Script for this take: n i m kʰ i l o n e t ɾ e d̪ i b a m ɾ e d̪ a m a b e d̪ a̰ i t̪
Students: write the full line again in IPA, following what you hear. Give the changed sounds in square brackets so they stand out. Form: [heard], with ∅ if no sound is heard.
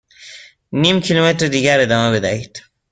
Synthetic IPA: n i m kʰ i l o [m] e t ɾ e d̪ i [ɡ] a [∅] ɾ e d̪ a m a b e d̪ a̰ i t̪